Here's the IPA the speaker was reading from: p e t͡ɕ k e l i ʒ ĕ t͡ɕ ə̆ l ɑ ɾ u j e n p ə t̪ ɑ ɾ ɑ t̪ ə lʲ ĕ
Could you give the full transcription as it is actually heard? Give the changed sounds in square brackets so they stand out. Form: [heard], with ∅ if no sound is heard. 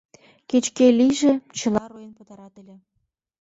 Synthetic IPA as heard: [k] e t͡ɕ k e l i ʒ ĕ t͡ɕ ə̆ l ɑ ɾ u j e n p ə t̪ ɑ ɾ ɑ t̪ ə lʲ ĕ

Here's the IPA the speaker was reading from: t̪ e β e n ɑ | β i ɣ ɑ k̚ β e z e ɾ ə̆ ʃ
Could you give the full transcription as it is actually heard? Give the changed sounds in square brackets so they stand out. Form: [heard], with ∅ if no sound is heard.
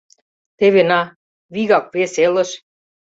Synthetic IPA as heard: t̪ e β e n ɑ | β i ɣ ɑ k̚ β e [s] e [l] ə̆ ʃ

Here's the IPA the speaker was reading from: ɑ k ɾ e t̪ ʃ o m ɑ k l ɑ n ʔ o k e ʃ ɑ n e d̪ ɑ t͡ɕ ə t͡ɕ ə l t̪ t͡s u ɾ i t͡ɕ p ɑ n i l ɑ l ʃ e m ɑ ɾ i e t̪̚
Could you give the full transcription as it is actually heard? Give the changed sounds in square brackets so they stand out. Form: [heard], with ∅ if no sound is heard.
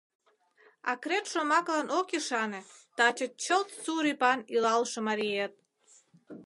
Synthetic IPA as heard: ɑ k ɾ e t̪ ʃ o m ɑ k l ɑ n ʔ o k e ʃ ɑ n e [t̪] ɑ t͡ɕ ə t͡ɕ ə l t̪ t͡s u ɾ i [∅] p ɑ n i l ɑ l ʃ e m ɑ ɾ i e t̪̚

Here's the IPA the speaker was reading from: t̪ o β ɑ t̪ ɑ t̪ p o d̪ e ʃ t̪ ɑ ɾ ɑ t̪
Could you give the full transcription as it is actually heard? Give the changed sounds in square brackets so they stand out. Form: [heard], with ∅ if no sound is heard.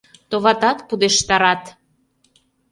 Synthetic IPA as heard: t̪ o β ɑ t̪ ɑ t̪ p [u] d̪ e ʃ t̪ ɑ ɾ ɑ t̪

